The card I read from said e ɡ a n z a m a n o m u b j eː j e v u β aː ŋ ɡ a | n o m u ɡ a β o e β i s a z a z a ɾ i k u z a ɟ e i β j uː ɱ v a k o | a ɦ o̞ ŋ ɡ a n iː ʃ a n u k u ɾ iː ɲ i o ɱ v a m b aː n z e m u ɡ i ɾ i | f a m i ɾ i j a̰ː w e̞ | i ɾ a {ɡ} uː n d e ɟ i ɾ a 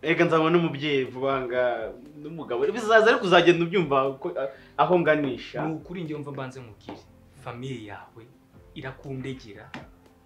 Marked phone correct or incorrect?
incorrect